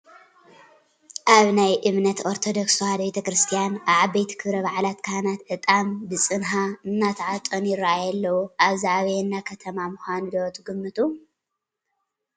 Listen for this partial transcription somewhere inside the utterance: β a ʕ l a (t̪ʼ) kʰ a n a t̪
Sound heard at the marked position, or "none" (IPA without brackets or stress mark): t̪